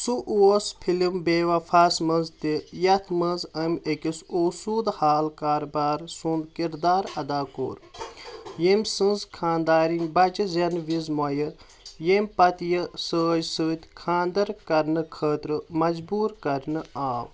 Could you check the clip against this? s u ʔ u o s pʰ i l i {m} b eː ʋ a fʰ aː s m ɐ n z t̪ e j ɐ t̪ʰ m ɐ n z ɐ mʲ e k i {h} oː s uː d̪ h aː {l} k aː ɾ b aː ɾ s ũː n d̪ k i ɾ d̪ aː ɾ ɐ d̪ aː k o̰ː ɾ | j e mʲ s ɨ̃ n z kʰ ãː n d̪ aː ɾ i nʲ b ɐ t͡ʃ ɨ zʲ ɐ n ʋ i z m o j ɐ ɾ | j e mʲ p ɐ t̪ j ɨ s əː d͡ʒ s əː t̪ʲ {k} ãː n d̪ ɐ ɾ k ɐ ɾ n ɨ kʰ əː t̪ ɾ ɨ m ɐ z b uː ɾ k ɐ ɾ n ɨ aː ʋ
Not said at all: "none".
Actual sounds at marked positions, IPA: m, s, l, kʰ

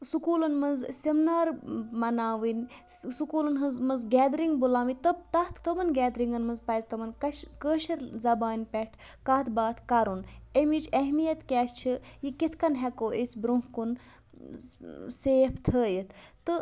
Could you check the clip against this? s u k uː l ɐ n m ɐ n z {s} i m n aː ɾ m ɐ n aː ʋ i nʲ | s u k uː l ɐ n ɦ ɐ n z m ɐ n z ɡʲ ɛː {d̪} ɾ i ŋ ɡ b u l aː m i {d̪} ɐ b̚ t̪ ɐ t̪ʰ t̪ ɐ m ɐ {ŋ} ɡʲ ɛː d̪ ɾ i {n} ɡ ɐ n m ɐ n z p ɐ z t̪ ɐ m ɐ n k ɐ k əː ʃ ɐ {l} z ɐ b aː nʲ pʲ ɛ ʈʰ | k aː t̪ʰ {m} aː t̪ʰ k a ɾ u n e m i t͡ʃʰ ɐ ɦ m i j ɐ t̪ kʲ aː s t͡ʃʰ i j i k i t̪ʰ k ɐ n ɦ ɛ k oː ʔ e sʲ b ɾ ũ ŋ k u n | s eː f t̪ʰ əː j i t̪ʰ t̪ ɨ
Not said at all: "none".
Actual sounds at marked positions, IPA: s, d̪, t̪, n, ŋ, ɾ, b

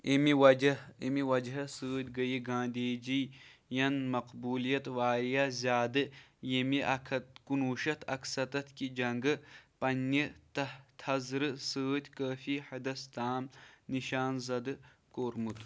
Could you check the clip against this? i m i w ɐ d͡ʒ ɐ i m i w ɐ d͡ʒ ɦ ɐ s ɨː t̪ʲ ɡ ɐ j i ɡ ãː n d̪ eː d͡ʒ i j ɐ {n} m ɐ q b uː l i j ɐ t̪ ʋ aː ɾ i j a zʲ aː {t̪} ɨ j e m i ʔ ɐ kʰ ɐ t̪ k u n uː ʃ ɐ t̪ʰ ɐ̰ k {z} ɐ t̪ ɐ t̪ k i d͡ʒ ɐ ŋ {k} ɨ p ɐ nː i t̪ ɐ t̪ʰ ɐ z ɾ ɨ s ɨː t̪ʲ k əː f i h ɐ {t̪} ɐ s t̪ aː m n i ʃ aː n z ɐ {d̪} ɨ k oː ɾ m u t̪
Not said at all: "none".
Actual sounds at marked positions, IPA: n, d̪, s, ɡ, d̪, d̪

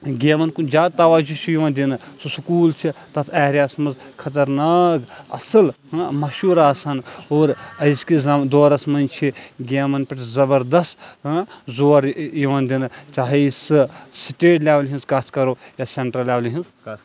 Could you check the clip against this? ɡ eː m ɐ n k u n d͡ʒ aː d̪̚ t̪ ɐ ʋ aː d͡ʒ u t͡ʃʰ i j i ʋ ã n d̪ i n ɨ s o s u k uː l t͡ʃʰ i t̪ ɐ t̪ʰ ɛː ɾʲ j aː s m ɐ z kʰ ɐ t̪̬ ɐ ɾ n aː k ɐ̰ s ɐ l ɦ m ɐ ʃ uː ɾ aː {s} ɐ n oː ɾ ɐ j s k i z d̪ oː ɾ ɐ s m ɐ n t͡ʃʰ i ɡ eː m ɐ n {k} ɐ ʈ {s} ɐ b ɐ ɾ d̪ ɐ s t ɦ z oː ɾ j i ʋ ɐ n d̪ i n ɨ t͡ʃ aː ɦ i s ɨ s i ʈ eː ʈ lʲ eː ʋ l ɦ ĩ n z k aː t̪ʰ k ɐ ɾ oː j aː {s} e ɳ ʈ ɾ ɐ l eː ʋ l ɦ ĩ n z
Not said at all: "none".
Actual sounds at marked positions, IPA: s, p, z, s

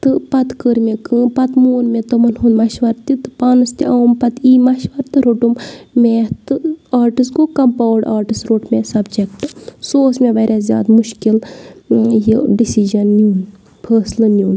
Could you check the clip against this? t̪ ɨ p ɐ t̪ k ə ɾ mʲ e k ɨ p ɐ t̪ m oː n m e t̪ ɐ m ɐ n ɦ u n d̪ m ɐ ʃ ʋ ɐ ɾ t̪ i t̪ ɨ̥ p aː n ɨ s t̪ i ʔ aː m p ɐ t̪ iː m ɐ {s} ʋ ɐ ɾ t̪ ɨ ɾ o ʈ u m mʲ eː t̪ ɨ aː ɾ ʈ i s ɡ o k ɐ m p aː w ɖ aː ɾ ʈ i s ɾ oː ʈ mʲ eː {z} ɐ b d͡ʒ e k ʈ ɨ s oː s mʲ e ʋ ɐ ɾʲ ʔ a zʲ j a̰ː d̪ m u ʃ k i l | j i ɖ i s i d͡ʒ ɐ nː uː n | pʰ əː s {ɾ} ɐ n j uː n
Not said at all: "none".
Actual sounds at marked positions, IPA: ʃ, s, l

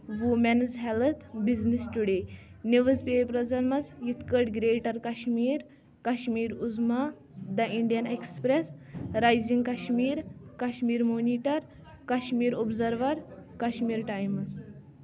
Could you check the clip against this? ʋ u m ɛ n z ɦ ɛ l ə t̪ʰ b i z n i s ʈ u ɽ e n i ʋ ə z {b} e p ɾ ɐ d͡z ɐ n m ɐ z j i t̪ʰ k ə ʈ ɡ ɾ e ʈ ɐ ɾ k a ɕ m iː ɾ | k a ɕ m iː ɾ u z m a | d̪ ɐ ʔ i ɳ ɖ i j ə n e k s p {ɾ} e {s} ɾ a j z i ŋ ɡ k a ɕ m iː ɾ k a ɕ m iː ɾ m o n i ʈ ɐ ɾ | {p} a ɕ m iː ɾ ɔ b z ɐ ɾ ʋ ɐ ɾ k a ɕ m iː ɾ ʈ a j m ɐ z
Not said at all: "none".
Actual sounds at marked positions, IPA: p, ɾ, s, k

